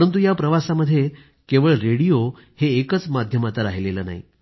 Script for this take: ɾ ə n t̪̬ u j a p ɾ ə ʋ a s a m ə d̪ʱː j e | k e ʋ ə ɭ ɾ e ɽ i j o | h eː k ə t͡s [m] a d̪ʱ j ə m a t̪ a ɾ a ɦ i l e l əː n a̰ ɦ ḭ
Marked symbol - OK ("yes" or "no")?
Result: yes